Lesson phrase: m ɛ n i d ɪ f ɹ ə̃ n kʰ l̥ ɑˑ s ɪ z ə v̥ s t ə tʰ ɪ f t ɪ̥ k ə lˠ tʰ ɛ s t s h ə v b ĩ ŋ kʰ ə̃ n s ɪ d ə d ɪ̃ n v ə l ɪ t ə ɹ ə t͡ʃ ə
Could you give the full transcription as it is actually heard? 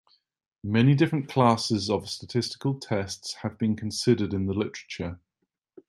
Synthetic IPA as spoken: m ɛ n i d ɪ f ɹ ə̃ n kʰ l̥ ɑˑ s ɪ z ə v̥ s t ə tʰ ɪ s t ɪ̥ k ə lˠ tʰ ɛ s t s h ə v b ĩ n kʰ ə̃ n s ɪ d ə d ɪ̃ n ð ə l ɪ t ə ɹ ə t͡ʃ ə